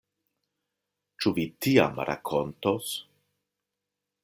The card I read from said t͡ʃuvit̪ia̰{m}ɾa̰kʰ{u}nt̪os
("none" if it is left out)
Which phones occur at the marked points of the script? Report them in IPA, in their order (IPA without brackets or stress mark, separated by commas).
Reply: m, o